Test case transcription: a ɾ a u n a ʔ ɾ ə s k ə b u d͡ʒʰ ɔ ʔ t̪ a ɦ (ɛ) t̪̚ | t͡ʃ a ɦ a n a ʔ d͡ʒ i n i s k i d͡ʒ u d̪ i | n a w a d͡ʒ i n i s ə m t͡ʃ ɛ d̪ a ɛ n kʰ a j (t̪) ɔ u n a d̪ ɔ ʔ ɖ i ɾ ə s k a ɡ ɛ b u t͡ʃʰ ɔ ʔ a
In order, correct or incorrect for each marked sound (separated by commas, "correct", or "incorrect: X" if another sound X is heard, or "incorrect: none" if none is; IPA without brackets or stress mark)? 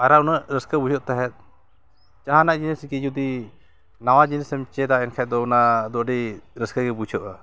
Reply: correct, incorrect: d̪